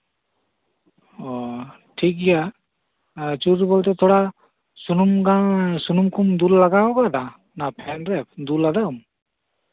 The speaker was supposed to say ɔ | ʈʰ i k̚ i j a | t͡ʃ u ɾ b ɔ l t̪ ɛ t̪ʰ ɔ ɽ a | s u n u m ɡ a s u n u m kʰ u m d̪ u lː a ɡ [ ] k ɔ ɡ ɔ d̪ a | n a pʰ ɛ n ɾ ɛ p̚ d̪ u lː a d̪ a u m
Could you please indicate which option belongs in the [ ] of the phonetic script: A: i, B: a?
B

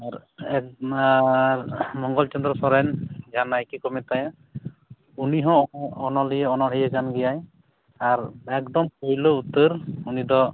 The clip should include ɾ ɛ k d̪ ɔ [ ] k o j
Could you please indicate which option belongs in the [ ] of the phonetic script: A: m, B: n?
A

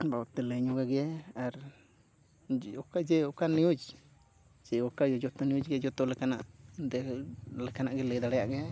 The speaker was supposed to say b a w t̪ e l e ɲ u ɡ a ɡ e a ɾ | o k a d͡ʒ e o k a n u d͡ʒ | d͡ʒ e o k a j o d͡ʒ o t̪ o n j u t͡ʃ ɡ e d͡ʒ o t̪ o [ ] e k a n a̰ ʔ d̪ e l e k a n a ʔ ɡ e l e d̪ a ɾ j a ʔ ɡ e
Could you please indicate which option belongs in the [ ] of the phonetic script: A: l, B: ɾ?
A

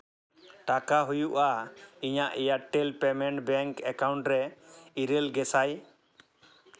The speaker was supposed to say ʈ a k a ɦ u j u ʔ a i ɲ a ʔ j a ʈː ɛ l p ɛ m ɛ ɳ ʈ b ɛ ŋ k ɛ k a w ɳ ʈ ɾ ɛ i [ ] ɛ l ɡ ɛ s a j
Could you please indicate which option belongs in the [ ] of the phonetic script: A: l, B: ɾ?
B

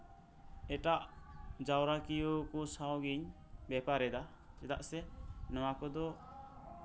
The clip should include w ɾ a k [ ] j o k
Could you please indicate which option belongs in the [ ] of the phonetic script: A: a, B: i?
B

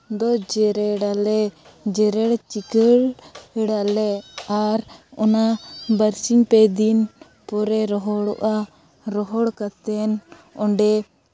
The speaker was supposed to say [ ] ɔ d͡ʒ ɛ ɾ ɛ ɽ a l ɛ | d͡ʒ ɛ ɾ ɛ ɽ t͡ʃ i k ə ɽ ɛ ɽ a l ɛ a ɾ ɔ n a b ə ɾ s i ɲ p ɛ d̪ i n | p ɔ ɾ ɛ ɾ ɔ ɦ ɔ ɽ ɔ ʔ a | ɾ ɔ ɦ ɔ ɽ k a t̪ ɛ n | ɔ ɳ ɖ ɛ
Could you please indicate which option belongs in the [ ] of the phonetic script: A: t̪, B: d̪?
B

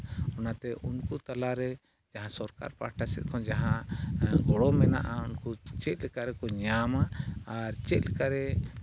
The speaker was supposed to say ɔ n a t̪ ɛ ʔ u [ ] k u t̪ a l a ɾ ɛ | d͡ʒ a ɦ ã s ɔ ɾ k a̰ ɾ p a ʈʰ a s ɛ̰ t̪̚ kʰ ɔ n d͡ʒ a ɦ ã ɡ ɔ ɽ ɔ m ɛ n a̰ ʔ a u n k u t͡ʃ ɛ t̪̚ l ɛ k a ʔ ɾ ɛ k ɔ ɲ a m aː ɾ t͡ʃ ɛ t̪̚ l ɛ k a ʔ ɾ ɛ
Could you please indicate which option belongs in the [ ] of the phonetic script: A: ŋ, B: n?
B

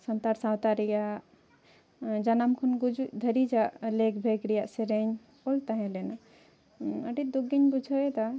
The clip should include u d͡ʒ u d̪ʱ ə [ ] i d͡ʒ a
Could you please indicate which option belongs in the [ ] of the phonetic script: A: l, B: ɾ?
B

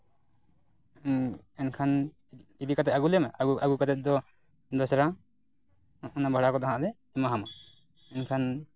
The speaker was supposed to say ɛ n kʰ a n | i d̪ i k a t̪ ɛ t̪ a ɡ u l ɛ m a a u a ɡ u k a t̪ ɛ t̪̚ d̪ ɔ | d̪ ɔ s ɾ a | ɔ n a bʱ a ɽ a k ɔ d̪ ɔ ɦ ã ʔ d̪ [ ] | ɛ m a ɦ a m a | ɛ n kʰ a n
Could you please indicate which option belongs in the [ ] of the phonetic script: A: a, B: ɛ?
B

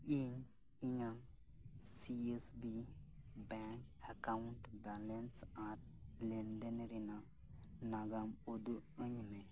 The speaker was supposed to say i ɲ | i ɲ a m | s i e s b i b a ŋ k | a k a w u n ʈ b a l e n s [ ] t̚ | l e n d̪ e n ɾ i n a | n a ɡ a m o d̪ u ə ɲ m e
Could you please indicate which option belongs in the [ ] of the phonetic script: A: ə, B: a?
B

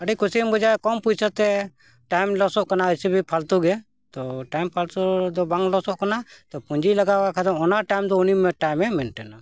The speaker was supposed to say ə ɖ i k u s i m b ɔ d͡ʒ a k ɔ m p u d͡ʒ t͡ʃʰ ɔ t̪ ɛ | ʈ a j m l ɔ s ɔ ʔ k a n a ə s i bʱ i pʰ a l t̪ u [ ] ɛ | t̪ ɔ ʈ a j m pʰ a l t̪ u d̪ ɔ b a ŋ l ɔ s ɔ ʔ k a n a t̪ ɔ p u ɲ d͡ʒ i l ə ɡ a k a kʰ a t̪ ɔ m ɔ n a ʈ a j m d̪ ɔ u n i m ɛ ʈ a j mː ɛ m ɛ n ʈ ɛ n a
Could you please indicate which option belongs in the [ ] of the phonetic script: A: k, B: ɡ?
B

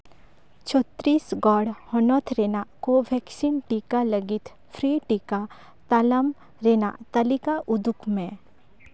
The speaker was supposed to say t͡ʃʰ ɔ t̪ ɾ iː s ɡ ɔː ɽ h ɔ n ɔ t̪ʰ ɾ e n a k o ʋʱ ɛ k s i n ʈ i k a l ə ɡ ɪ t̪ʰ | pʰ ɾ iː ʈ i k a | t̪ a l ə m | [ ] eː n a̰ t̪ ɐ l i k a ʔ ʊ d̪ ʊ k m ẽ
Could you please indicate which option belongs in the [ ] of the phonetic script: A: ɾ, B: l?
A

